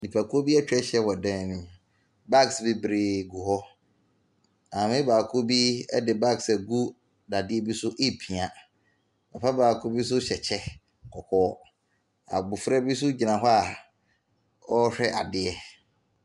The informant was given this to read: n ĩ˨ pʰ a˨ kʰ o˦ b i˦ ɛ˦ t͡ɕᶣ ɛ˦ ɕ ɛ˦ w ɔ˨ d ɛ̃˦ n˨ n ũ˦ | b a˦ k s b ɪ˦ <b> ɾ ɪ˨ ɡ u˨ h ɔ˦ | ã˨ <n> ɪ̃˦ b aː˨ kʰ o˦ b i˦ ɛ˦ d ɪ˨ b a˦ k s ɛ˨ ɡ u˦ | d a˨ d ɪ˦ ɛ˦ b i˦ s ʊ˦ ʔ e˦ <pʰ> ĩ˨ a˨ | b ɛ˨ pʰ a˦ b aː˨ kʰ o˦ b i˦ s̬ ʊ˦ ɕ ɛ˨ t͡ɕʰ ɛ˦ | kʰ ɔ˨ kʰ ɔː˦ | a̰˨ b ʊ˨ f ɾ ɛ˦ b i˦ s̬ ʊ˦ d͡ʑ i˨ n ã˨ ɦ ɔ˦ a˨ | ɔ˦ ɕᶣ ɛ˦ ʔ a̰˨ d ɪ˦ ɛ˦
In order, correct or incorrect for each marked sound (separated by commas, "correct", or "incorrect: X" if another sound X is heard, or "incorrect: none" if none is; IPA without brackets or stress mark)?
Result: correct, incorrect: m, correct